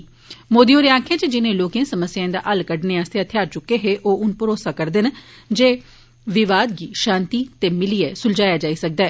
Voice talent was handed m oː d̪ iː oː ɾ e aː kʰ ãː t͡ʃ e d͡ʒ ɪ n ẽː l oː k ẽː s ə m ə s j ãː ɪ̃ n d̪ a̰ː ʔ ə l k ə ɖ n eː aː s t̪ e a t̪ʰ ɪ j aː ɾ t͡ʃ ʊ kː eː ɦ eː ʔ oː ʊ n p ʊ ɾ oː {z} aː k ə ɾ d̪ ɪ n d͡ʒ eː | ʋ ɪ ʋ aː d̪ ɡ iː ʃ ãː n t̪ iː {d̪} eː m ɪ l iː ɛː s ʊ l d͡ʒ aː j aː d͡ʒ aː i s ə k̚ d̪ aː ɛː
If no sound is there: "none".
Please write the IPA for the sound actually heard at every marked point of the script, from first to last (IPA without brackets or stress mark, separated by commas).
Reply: s, t̪